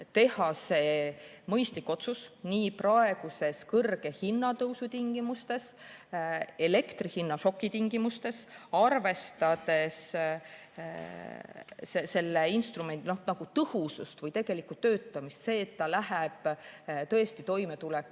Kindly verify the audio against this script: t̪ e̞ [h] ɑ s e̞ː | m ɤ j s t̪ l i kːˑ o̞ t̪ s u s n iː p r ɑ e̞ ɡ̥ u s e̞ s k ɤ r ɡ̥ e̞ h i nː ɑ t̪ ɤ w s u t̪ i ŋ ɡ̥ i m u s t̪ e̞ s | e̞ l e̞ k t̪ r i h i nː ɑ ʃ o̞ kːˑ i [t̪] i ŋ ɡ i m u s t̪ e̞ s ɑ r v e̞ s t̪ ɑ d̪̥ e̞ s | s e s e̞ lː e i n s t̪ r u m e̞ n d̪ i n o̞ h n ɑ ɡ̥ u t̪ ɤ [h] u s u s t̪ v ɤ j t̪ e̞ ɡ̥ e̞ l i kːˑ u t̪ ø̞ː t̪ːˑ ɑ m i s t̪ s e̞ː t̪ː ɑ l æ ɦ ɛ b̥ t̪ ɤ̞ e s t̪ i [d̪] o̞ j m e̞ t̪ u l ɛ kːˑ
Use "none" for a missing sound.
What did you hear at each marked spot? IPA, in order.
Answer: h, t̪, h, t̪

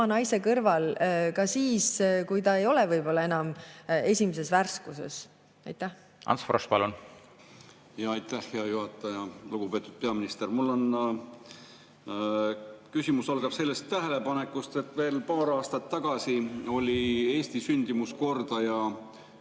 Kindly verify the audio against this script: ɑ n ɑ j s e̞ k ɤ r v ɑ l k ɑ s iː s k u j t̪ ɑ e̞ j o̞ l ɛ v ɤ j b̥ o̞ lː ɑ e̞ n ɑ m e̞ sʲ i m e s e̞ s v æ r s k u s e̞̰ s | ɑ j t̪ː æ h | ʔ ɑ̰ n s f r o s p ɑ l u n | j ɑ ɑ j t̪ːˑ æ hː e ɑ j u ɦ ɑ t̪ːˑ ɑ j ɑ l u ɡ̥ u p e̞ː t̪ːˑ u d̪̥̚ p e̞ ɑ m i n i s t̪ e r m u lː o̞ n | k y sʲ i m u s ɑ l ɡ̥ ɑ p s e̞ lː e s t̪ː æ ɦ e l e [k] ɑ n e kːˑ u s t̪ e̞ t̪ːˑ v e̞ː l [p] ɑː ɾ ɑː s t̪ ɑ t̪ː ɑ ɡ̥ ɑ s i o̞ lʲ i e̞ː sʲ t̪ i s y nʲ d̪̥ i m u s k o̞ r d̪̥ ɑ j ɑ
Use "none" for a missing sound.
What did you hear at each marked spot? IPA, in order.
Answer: p, p

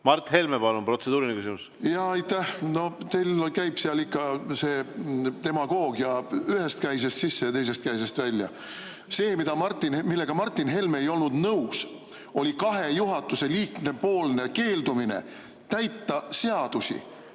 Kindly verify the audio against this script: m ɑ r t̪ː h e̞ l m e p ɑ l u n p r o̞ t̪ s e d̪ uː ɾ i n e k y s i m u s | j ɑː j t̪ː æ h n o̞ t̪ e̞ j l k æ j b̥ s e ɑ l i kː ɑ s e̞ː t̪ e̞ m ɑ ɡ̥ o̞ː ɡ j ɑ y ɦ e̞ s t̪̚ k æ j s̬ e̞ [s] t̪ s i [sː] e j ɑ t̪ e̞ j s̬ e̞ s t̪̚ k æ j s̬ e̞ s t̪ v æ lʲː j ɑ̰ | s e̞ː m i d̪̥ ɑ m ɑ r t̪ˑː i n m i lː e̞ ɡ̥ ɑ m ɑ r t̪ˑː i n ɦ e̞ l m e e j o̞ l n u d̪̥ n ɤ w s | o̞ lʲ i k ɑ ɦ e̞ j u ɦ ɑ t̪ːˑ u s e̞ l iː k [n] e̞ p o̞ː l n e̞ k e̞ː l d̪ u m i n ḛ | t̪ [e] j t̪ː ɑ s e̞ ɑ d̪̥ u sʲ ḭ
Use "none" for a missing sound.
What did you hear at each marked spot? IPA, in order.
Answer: s, sː, n, æ

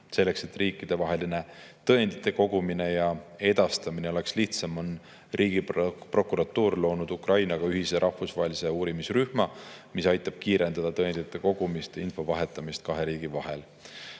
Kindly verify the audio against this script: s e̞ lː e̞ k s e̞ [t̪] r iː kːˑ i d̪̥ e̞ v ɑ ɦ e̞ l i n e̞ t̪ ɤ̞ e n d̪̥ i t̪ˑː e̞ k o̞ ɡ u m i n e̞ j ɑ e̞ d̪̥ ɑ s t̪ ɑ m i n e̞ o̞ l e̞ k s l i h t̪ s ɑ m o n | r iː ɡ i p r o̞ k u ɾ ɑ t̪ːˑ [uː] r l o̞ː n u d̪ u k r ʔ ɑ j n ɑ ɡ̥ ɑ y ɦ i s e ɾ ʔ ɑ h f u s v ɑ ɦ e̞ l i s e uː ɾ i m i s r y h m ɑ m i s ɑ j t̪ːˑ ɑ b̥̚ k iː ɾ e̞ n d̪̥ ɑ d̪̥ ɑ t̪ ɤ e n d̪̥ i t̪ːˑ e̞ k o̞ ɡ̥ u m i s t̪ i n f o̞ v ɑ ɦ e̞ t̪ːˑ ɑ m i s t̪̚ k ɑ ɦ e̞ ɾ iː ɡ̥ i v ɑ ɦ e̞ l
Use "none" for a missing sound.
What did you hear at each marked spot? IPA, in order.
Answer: t̪, uː

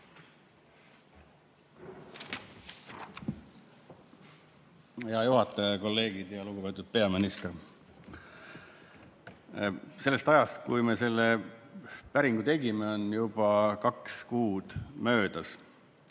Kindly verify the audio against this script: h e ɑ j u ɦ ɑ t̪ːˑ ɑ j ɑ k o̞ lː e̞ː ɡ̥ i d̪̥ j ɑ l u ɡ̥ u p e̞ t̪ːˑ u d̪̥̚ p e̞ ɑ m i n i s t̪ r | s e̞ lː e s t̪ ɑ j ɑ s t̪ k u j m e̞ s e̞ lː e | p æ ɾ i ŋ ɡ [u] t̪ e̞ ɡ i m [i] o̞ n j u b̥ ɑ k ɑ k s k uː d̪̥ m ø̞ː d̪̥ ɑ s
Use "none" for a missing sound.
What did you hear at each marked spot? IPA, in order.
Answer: u, e

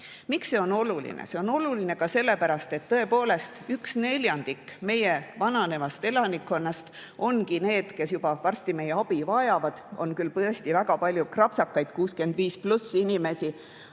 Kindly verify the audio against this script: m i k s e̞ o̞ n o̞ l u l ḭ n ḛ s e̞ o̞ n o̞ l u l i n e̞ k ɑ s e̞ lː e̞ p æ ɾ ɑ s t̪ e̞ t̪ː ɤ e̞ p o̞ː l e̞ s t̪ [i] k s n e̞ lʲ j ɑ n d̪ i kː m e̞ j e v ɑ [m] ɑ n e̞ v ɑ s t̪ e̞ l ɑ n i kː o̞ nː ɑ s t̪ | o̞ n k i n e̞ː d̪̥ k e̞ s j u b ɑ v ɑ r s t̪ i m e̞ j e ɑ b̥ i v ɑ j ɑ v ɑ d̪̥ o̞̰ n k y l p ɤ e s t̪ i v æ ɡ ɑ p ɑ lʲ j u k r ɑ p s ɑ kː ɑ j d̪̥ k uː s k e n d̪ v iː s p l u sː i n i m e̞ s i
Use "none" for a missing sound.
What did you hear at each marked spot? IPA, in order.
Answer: y, n

